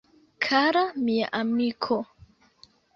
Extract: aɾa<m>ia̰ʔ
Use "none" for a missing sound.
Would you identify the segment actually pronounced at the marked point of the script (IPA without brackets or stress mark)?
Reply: m